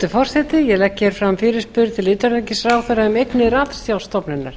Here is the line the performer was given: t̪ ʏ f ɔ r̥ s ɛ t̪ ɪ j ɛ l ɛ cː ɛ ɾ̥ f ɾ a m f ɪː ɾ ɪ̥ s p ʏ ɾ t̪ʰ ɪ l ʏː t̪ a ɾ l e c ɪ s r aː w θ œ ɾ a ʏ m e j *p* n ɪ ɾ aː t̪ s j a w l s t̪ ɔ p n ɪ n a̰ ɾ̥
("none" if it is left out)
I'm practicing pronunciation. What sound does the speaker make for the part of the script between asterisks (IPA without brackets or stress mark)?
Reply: k